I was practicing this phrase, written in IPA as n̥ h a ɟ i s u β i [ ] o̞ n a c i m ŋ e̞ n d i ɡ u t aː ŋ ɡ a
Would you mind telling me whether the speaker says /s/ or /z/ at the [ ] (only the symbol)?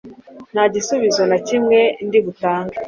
z